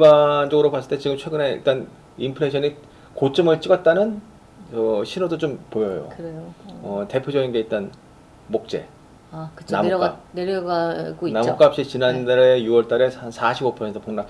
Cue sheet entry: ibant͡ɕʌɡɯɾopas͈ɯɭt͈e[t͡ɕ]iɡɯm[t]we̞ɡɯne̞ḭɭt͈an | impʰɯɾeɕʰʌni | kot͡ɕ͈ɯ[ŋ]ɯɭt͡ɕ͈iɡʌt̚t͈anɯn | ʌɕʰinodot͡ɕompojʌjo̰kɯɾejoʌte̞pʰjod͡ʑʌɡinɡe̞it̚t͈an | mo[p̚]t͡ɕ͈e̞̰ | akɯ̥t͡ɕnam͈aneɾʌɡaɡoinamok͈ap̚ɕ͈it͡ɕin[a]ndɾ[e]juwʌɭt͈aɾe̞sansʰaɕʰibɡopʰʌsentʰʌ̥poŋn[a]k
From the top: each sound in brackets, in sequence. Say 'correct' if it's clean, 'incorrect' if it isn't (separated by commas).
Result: correct, incorrect, incorrect, incorrect, correct, correct, correct